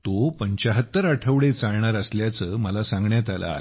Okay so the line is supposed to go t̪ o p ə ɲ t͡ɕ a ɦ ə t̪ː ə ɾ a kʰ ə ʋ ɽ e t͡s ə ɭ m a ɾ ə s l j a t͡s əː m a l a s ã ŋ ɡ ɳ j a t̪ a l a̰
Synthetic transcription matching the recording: t̪ o p ə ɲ t͡ɕ a ɦ ə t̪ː ə ɾ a ʈʰ ə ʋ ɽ e t͡s a ɭ ɳ a ɾ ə s l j a t͡s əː m ə l a s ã ŋ ɡ ɳ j a t̪ a l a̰